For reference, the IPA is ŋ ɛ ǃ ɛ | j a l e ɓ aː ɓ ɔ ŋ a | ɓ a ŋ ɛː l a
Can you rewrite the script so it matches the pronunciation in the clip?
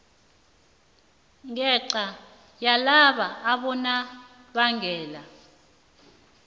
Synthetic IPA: ŋ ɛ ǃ a | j a l a ɓ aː ɓ ɔ n a | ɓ a ŋ ɛː l a